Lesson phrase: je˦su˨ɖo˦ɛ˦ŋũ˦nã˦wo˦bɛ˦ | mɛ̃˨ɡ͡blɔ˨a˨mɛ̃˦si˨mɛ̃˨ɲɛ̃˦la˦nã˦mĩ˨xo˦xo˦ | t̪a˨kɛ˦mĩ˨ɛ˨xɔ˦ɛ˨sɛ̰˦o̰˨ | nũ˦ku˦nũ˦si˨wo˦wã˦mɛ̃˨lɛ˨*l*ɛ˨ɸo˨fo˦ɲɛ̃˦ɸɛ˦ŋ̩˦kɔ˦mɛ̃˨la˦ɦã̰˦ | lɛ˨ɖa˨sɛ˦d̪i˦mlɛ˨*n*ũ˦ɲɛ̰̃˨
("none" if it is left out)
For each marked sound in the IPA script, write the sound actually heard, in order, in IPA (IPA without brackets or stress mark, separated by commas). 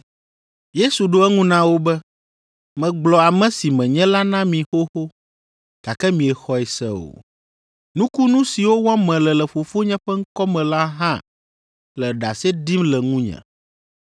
l, ŋ